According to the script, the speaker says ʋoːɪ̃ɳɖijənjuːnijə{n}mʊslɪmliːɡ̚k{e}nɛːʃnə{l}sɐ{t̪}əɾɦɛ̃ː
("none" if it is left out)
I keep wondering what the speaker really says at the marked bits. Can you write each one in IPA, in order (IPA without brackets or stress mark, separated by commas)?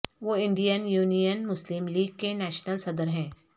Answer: n, e, l, d̪